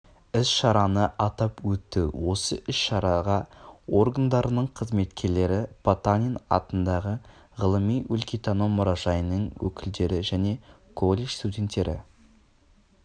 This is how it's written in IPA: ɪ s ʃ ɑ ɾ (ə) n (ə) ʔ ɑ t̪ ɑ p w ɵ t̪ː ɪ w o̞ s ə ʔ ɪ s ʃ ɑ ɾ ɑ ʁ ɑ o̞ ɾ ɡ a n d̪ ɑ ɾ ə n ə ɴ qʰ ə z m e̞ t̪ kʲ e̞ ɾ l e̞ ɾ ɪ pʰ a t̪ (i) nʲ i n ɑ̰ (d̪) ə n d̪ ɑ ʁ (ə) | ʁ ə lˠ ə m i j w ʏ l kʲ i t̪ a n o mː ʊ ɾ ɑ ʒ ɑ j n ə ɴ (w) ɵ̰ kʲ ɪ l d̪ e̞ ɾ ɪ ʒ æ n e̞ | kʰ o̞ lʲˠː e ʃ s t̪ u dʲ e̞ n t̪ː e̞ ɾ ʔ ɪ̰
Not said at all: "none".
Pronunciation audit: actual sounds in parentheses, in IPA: ɑ, ə, a, t̪, ə, w

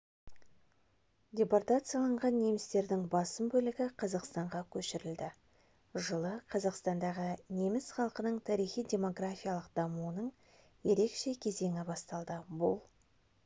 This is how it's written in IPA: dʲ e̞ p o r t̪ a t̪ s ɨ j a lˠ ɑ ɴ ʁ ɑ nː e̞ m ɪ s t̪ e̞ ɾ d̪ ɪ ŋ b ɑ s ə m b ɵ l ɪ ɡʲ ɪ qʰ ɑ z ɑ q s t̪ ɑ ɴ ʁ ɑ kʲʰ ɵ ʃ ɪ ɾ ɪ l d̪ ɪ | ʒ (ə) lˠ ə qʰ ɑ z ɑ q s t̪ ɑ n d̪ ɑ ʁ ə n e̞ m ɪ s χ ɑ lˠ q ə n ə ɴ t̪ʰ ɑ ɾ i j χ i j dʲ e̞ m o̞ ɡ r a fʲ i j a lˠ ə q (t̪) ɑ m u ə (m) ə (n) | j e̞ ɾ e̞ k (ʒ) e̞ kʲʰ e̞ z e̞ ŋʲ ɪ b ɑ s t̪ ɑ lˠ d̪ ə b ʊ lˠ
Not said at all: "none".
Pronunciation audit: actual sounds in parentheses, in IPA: ə, d̪, n, ɴ, ʃ

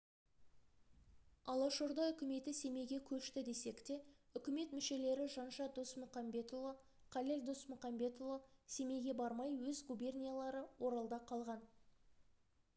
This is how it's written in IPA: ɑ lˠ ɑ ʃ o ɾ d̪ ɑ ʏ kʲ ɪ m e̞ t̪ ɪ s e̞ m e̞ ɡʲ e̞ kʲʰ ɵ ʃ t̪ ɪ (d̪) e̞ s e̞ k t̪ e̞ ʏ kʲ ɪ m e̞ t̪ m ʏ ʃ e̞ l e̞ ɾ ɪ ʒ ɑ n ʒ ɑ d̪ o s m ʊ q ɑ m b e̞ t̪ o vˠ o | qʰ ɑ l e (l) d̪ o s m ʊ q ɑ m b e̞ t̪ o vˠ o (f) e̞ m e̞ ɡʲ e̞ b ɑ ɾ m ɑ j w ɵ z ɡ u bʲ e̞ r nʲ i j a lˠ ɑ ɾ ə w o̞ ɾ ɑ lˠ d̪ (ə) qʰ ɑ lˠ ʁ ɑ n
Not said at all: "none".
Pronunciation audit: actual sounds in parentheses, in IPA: d̪, l, s, ɑ

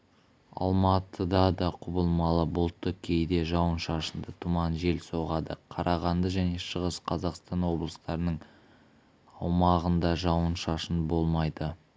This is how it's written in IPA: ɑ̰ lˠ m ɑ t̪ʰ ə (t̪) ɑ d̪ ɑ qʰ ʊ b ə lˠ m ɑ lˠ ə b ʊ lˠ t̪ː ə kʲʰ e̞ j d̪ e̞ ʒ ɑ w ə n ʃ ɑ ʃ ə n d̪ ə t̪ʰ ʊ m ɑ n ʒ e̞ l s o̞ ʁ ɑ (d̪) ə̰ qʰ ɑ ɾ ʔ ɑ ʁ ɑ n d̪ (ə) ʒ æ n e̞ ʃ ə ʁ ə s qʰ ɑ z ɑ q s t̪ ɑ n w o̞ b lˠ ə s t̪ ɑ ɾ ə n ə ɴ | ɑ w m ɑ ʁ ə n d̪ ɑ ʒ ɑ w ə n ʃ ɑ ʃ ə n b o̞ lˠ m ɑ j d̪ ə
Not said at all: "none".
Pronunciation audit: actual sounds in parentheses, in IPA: d̪, d̪, ə

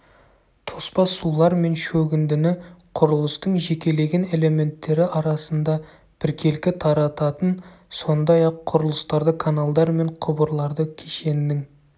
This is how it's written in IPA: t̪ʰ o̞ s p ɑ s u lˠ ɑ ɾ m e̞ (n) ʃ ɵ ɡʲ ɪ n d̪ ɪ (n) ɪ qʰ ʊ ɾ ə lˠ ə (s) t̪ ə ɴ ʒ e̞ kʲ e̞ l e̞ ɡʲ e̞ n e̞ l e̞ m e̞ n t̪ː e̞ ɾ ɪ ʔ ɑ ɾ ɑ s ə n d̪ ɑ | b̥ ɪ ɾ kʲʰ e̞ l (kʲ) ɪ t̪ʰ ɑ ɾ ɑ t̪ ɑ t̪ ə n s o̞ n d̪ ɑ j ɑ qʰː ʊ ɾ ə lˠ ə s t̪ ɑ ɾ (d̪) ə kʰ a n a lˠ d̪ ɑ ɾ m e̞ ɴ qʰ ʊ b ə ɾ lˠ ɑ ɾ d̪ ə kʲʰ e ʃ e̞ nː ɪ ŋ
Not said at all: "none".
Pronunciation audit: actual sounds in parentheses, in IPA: n, n, s, kʲ, d̪

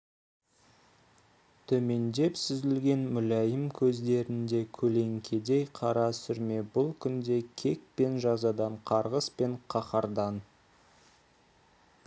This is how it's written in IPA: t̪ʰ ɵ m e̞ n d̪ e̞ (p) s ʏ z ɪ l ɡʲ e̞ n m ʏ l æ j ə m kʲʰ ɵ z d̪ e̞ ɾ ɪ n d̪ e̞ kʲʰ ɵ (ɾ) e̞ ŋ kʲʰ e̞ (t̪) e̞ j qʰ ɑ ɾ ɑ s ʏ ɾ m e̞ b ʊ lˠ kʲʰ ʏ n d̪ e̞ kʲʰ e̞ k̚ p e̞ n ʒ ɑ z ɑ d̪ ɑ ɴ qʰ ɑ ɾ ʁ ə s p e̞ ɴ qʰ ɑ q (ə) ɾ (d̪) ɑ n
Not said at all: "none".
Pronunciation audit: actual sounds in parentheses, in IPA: p, l, d̪, ɑ, d̪

